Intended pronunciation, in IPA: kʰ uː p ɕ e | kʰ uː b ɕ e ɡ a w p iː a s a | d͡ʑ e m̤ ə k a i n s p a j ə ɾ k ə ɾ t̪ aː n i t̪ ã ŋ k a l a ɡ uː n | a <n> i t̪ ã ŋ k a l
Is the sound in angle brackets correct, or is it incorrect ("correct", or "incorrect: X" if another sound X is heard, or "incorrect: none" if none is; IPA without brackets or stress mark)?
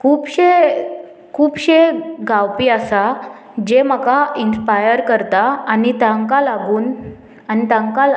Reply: correct